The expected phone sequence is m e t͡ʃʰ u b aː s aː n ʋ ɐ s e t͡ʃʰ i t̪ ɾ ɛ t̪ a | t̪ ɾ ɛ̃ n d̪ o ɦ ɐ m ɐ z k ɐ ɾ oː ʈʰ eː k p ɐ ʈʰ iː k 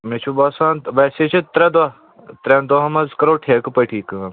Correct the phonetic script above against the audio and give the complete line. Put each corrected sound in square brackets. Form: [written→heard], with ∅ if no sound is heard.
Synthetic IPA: m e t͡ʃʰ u b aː s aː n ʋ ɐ s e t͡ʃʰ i t̪ ɾ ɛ [t̪→d̪] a | t̪ ɾ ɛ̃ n d̪ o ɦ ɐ m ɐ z k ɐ ɾ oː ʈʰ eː k p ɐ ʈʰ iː k